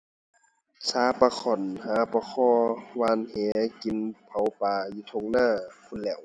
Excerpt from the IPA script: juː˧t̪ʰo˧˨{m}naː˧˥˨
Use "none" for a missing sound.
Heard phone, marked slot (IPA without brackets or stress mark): ŋ